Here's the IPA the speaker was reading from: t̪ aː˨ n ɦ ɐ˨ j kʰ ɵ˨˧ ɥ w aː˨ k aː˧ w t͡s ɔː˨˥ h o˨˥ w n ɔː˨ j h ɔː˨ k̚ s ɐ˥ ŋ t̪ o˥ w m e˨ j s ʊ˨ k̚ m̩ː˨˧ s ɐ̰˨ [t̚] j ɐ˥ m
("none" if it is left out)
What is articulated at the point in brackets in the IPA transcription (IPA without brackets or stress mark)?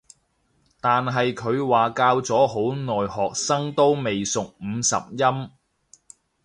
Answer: p̚